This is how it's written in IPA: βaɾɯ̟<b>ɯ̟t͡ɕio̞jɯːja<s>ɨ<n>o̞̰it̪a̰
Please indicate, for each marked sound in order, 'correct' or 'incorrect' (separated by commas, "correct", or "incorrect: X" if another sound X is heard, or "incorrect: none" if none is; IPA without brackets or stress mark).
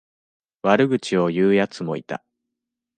incorrect: ɡ, incorrect: t͡s, incorrect: m